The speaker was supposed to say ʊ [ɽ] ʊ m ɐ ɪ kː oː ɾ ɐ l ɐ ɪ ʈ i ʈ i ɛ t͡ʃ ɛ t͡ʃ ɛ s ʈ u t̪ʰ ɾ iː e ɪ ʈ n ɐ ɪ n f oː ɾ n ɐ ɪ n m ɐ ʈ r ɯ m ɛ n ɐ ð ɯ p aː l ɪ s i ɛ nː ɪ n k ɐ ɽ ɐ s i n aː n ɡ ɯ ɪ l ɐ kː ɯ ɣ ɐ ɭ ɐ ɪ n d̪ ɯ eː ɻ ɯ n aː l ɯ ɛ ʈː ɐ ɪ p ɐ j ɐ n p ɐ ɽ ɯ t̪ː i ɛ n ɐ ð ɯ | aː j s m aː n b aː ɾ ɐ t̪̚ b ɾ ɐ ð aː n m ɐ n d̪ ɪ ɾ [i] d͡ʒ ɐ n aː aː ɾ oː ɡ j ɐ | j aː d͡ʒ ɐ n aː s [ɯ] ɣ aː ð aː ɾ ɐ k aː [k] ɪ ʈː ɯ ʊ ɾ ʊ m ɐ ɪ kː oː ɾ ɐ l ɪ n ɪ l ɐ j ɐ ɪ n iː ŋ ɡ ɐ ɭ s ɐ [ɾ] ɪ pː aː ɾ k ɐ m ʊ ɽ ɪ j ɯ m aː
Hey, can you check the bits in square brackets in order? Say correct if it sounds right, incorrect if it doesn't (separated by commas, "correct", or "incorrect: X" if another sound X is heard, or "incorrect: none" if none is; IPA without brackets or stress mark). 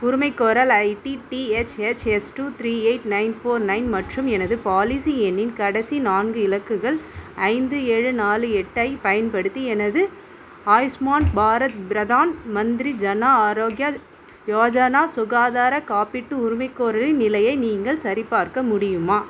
incorrect: ɾ, correct, incorrect: ʊ, incorrect: p, correct